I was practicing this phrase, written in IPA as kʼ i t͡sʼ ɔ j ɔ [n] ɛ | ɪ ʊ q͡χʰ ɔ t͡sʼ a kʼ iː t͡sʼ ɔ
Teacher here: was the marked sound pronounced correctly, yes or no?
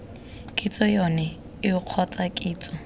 yes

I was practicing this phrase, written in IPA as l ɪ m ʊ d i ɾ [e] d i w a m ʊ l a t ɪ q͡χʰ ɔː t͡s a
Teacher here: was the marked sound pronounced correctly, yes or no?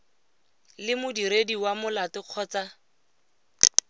yes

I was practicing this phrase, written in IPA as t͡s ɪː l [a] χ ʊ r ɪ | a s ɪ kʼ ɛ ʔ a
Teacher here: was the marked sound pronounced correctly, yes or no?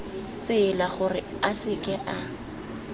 yes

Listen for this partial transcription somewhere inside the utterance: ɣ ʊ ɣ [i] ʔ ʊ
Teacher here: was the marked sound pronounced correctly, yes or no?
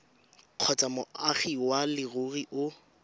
yes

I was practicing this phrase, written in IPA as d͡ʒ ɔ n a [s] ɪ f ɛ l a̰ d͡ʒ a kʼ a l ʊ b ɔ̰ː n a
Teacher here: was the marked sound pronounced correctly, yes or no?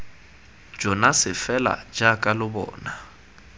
yes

